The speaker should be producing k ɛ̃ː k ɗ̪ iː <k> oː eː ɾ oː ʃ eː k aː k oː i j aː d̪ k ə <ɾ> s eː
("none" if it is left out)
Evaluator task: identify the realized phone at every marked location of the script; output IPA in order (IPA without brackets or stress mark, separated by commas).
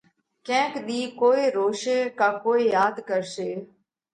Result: k, ɾ